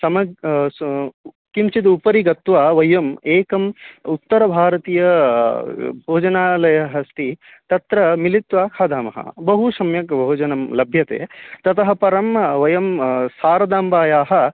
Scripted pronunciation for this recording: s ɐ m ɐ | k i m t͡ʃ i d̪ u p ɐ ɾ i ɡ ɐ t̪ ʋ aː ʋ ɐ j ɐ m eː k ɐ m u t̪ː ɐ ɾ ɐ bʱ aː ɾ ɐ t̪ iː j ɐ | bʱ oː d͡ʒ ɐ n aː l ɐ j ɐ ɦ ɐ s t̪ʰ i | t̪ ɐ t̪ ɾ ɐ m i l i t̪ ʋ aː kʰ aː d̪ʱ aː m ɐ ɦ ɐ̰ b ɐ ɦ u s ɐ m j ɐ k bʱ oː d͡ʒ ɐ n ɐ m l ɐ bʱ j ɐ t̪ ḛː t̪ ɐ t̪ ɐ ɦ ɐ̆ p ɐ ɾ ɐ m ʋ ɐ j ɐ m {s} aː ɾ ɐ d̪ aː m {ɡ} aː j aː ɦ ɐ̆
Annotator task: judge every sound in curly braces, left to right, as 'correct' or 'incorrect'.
correct, incorrect: b

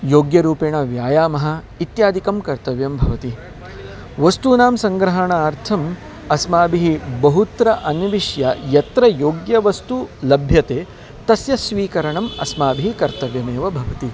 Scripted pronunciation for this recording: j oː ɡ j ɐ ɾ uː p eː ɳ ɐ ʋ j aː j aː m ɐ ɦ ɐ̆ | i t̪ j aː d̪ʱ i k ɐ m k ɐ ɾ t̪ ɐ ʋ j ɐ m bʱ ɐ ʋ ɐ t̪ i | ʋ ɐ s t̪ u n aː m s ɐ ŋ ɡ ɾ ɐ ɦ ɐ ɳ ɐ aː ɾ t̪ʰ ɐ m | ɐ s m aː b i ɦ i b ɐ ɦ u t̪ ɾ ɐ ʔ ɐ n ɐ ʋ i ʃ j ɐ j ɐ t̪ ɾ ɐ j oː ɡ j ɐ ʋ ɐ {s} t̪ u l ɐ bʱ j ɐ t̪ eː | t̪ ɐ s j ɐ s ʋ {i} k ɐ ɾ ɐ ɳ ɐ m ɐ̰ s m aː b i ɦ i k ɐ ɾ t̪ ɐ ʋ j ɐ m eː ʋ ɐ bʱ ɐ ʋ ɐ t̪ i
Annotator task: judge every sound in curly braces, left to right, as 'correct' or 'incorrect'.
correct, incorrect: iː

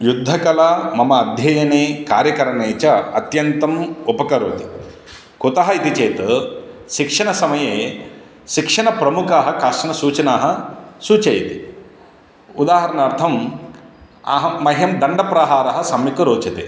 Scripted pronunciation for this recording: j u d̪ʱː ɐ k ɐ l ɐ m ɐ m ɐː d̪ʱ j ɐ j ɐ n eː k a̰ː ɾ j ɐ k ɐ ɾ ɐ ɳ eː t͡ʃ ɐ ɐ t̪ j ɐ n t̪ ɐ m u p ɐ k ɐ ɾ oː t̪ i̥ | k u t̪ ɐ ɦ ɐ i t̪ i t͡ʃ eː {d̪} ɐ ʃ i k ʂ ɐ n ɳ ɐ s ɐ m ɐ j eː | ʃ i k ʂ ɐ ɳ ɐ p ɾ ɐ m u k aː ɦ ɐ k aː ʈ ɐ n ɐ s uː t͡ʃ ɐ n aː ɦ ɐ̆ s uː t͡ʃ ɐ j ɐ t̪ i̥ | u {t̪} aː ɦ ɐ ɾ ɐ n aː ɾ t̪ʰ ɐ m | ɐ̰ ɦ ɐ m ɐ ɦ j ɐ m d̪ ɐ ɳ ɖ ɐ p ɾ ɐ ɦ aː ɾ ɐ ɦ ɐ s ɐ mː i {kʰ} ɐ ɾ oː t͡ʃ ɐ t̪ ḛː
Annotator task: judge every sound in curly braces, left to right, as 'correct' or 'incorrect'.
incorrect: t̪, incorrect: d̪, incorrect: k

